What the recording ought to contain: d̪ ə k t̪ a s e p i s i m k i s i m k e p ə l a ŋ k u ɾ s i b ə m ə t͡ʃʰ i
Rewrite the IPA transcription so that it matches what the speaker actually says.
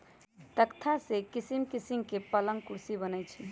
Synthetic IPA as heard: t̪ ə k t̪ʰ a s e k i s i m k i s i m k e p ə l ə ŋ k u ɾ s i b ə n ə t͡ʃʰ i